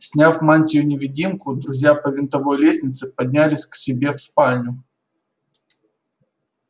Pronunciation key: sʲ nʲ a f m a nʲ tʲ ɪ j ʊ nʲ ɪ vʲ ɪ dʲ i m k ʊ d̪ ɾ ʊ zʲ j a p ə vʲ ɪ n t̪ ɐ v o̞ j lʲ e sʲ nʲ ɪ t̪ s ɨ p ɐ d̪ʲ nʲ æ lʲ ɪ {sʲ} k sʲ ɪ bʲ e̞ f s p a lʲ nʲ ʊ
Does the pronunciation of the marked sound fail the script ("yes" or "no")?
no